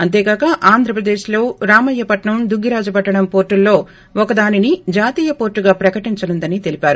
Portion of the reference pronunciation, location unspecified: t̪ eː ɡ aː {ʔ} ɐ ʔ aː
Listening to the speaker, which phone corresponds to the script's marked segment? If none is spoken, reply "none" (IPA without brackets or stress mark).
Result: k